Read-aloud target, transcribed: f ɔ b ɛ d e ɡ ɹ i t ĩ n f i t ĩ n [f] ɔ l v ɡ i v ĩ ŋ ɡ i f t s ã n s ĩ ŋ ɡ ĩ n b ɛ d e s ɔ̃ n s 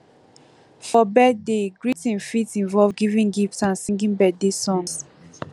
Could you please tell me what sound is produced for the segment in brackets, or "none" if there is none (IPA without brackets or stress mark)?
v